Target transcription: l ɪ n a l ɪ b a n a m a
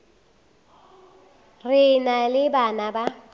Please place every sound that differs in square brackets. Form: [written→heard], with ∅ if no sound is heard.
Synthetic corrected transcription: [l→r] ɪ n a l ɪ b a n a [m→b] a

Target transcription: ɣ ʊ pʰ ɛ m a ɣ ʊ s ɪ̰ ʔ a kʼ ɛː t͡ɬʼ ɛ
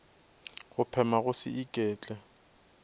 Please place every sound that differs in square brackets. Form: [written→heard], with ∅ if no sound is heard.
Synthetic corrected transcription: ɣ ʊ pʰ ɛ m a ɣ ʊ s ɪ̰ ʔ [a→i] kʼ ɛː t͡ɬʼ ɛ

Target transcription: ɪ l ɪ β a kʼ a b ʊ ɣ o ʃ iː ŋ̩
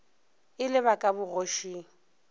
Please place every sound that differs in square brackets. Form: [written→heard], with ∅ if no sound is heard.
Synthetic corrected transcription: ɪ l ɪ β a kʼ a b ʊ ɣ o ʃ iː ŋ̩

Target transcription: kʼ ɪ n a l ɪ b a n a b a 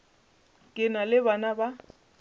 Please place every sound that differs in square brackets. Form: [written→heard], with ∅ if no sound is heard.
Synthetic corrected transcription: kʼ ɪ n a l ɪ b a n a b a

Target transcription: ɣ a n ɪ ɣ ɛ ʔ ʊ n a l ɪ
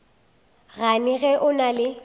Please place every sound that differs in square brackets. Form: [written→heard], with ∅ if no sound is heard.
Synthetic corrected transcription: ɣ a n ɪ ɣ ɛ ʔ ʊ n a l ɪ

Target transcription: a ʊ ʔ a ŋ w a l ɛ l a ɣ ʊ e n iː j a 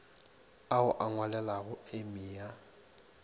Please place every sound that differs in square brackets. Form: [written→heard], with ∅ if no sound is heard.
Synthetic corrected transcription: a ʊ ʔ a ŋ w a l ɛ l a ɣ ʊ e [n→m] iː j a

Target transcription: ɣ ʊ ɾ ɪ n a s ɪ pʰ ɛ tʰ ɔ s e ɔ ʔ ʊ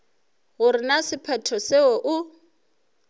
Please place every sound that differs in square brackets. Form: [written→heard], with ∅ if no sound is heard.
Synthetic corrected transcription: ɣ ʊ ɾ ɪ n a s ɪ pʰ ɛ tʰ ɔ s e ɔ ʔ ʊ

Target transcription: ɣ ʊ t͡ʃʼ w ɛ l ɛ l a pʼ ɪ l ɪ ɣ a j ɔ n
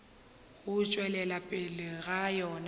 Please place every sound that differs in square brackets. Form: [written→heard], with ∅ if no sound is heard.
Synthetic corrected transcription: ɣ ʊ t͡ʃʼ w ɛ l ɛ l a pʼ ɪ l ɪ ɣ a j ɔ n

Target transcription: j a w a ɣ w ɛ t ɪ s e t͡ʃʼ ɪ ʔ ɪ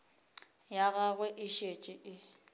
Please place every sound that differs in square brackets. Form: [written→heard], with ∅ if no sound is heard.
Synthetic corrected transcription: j a [w→ɣ] a ɣ w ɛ [t→ʔ] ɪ [s→ʃ] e t͡ʃʼ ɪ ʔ ɪ

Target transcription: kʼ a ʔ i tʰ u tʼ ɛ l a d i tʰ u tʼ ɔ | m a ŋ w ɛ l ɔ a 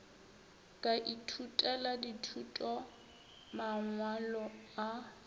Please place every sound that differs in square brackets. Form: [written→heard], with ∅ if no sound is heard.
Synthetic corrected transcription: kʼ a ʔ i tʰ u tʼ ɛ l a d i tʰ u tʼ ɔ | m a ŋ w [ɛ→a] l ɔ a

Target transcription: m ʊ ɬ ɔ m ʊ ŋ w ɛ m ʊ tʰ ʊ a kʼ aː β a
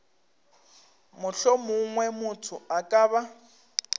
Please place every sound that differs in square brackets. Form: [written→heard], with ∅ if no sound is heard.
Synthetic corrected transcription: m ʊ ɬ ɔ m ʊ ŋ w ɛ m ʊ tʰ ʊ a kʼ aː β a

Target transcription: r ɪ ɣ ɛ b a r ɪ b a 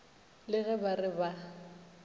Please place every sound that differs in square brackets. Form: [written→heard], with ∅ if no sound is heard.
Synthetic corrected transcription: [r→l] ɪ ɣ ɛ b a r ɪ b a

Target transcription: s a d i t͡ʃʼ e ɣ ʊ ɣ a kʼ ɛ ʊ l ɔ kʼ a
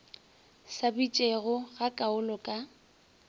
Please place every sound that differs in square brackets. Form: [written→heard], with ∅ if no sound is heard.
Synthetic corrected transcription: s a [d→b] i t͡ʃʼ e ɣ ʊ ɣ a kʼ [ɛ→a] ʊ l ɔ kʼ a

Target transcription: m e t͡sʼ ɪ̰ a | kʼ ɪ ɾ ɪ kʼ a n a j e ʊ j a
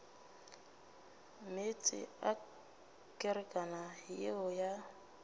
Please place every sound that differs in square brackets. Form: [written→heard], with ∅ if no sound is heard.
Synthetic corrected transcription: m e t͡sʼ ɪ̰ a | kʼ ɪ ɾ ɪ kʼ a n a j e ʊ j a

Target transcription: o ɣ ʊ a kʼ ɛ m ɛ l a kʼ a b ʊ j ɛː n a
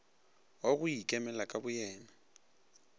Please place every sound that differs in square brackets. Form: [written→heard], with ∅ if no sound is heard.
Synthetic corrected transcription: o ɣ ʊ [a→i] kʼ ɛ m ɛ l a kʼ a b ʊ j ɛː n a

